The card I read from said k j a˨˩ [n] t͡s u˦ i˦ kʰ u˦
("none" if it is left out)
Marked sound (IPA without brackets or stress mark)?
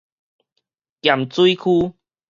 m